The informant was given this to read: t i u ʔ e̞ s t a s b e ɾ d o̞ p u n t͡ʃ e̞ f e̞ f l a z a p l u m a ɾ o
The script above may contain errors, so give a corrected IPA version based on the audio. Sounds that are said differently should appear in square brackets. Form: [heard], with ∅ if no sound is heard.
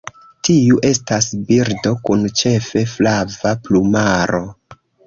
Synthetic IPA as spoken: t i u ʔ e̞ s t a s b [i] ɾ d o̞ [k] u n t͡ʃ e̞ f e̞ f l a [v] a p l u m a ɾ o